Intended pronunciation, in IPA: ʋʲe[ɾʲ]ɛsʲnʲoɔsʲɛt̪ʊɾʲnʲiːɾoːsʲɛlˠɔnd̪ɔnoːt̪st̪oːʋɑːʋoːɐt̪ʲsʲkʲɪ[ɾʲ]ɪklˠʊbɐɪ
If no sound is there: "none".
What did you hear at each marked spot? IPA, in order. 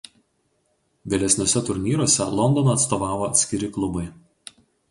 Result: lʲ, ɾʲ

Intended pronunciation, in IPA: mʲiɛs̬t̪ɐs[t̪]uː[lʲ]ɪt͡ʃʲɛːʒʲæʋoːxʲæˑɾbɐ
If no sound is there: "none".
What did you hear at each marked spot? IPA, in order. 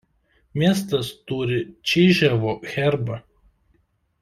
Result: t̪, ɾʲ

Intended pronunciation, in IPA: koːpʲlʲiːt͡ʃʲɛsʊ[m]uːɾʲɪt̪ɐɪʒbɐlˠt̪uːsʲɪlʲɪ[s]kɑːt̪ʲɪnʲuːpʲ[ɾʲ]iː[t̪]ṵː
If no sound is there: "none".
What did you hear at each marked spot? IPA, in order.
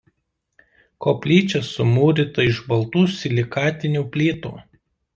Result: m, none, lʲ, t̪

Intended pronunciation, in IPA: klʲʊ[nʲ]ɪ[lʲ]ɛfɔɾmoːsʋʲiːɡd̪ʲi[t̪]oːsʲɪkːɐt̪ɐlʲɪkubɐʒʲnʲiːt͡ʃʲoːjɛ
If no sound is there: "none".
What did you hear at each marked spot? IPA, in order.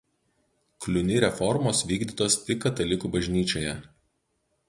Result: nʲ, ɾʲ, t̪

